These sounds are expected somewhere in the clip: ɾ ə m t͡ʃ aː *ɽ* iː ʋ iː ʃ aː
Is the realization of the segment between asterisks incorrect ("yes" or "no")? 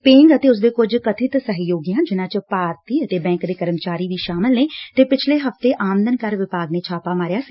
yes